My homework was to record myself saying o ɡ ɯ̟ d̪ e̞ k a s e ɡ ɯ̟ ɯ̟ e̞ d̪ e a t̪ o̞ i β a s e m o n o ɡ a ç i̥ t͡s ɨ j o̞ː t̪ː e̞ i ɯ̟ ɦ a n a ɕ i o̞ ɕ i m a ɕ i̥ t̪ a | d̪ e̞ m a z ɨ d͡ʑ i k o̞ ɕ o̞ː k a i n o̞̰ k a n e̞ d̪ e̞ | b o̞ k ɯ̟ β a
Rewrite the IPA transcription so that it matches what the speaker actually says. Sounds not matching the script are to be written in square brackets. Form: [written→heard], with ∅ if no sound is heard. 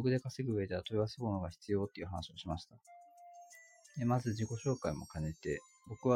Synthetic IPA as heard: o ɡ ɯ̟ d̪ e̞ k a s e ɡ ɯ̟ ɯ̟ e̞ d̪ e a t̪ o̞ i β a s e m o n o ɡ a ç i̥ t͡s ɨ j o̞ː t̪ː e̞ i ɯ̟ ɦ a n a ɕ i o̞ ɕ i m a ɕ i̥ t̪ a | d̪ e̞ m a z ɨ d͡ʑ i k o̞ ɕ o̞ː k a i [n→m] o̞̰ k a n e̞ [d̪→t̪] e̞ | b o̞ k ɯ̟ β a